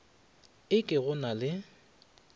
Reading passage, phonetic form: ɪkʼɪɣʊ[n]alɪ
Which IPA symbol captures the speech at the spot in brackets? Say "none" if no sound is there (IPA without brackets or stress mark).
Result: n